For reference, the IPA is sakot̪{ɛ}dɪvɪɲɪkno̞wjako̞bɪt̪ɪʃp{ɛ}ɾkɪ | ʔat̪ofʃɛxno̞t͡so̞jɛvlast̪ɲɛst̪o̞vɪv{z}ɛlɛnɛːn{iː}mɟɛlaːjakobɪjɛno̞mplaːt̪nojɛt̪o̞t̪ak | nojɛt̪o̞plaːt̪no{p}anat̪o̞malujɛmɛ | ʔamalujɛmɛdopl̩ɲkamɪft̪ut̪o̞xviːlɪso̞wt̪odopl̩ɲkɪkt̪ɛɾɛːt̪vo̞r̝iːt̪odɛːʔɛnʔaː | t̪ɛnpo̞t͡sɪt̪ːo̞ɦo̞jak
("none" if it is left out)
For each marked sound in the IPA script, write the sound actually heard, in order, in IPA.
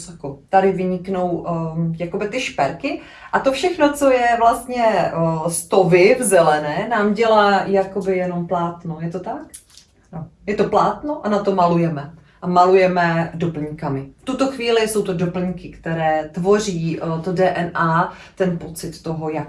a, ɛ, z, aː, ʔ

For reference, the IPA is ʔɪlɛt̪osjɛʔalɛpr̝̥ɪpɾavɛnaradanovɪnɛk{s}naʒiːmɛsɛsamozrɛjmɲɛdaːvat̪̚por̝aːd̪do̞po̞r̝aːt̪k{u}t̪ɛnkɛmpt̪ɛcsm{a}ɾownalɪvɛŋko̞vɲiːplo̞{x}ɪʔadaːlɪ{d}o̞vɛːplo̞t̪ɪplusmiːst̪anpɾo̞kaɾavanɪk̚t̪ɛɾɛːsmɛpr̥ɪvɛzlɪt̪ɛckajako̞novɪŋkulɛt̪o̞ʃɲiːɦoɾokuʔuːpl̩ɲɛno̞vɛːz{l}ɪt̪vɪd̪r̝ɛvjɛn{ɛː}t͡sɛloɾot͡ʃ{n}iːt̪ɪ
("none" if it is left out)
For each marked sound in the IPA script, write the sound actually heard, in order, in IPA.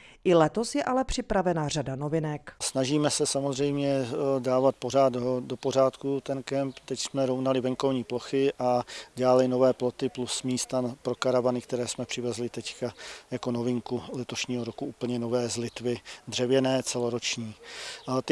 s, u, ɛ, x, n, l, ɛː, ɲ

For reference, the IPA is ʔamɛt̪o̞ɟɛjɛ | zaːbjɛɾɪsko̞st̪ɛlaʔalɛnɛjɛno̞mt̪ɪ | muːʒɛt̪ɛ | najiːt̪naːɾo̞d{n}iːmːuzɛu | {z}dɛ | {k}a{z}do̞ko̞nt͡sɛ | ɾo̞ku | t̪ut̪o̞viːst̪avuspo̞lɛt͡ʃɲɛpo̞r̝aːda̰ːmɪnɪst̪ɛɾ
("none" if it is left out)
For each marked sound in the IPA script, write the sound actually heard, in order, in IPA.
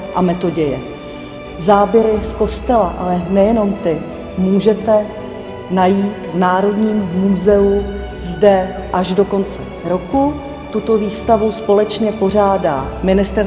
ɲ, z, ʔ, ʒ

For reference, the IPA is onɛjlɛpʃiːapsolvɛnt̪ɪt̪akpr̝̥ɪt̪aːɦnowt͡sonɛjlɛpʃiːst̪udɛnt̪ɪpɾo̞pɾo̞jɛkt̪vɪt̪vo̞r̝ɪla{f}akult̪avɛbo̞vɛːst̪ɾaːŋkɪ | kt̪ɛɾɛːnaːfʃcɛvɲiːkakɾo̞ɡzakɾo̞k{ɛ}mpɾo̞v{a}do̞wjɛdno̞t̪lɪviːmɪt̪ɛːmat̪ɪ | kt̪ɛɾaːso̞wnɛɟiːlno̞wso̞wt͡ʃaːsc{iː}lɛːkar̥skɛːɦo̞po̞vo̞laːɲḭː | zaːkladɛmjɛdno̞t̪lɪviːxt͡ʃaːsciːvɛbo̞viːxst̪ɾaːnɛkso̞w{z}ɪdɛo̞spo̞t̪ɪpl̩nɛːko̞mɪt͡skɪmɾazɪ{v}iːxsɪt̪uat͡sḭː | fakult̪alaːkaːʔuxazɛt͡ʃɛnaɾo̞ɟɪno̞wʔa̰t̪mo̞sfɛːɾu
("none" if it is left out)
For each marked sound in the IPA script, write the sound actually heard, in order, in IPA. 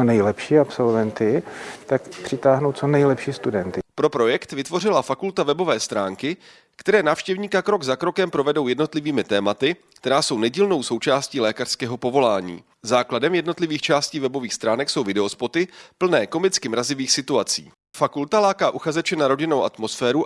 f, ɛ, ɛ, iː, v, v

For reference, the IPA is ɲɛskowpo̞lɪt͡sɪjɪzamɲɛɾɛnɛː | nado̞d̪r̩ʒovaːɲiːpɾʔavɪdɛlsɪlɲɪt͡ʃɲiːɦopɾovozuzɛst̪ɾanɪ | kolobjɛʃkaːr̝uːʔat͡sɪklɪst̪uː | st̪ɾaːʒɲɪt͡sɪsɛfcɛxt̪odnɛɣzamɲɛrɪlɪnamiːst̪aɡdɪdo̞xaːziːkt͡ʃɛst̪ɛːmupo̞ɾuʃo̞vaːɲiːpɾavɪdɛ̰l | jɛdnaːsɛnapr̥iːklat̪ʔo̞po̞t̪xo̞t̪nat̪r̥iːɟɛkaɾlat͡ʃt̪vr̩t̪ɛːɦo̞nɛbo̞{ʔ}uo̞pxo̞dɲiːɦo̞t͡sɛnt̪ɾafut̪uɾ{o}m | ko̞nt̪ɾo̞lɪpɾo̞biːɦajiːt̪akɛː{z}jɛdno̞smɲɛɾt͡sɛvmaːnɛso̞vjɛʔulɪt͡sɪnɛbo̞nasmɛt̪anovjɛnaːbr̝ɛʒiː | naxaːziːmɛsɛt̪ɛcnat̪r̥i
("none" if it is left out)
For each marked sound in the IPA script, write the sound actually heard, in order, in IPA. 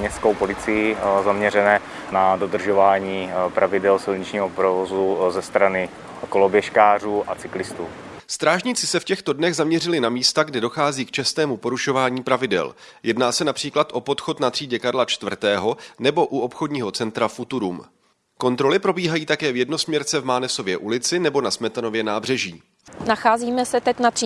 ʔ, u, v

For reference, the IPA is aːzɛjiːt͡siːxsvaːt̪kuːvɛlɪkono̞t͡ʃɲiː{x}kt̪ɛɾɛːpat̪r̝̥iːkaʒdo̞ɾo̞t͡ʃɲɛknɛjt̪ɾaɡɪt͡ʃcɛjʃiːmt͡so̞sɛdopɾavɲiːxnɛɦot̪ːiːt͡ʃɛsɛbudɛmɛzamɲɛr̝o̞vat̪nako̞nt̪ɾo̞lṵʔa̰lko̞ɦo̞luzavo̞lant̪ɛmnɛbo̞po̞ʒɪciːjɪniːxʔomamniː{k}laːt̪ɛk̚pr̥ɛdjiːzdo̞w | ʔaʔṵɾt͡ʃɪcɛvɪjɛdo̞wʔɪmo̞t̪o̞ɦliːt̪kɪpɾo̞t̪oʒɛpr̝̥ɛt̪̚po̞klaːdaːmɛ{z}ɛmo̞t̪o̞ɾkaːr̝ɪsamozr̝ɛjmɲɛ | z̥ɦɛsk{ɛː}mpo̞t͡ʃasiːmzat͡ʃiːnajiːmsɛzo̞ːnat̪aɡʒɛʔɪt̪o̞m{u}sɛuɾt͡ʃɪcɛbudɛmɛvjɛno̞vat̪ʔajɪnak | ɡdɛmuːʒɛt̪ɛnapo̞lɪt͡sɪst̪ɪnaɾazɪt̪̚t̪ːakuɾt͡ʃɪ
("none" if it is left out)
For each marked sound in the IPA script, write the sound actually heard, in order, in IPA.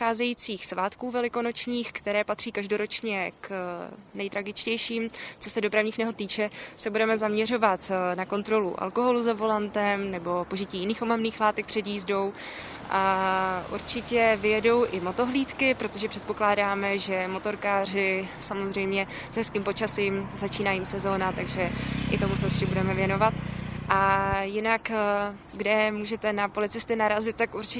x, x, ʒ, iː, u

